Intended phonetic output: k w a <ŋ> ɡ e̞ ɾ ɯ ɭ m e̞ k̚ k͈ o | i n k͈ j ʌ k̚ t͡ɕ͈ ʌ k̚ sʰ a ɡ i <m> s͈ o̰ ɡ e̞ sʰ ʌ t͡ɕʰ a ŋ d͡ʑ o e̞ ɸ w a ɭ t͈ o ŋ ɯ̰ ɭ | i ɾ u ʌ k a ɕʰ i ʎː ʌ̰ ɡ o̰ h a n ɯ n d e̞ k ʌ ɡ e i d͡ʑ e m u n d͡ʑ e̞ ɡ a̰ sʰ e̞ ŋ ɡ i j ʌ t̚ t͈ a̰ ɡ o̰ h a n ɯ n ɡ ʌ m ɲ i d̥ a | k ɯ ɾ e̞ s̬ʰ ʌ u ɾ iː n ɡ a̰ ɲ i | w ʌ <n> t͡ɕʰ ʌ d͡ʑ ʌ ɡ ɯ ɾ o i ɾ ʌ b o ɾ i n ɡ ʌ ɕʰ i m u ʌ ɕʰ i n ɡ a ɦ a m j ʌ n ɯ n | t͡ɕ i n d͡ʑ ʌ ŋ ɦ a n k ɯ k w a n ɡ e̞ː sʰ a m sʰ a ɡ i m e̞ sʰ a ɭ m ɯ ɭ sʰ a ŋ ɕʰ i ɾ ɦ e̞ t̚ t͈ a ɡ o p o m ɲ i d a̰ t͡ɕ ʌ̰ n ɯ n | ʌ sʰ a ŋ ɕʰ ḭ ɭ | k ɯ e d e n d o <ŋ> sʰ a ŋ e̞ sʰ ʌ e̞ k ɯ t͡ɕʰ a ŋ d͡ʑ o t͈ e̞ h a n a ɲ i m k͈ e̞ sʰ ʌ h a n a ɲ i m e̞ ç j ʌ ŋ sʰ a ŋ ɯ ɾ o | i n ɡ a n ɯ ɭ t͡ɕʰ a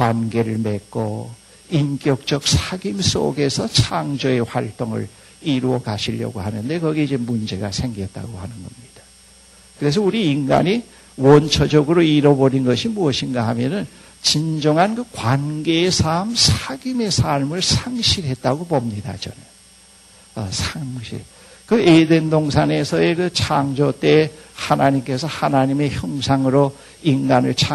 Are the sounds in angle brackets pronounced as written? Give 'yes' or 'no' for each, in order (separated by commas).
no, yes, yes, yes